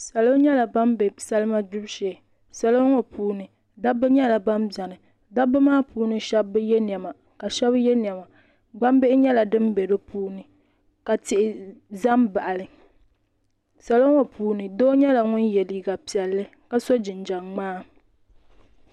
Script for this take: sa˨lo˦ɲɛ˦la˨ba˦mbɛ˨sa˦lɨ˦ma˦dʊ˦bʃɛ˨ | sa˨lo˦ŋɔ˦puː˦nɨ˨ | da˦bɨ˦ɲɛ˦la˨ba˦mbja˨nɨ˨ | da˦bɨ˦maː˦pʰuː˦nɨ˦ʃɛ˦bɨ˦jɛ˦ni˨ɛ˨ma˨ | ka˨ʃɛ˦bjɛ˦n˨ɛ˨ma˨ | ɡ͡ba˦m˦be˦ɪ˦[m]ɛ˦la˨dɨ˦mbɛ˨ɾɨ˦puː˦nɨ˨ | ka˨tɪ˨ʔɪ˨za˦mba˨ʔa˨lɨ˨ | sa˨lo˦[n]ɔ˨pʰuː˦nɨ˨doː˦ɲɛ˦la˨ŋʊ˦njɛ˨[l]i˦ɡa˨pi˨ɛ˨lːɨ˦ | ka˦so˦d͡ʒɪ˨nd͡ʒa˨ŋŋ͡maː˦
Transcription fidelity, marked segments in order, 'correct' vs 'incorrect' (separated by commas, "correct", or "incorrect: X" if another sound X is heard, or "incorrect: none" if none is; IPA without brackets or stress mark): incorrect: ɲ, incorrect: ŋ, correct